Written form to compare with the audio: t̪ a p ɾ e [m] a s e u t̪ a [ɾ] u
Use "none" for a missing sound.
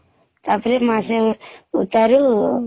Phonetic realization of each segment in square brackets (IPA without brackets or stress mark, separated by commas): m, ɾ